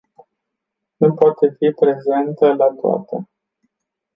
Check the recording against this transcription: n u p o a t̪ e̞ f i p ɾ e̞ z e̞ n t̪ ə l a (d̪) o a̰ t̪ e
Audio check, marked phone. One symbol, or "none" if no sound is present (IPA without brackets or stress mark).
t̪